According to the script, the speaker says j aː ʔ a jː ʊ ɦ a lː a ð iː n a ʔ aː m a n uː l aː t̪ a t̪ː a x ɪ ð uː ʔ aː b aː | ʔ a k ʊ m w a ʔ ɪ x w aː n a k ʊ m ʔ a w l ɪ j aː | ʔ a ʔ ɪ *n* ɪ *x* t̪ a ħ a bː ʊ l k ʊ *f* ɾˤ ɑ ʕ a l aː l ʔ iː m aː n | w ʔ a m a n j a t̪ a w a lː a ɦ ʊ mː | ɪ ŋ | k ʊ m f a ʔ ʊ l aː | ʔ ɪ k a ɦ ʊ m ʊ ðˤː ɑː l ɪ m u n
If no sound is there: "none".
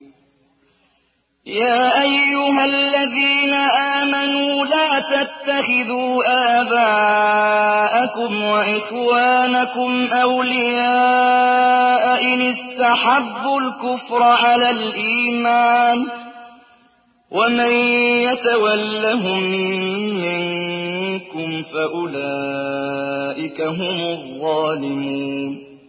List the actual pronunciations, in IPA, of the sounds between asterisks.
n, s, f

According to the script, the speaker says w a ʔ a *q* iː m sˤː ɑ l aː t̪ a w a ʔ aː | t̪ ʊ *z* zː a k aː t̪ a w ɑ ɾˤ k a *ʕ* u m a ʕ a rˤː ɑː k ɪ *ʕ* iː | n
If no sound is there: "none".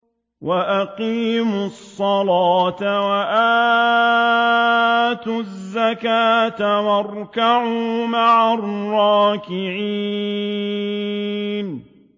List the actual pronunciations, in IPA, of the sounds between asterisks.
q, z, ʕ, ʕ

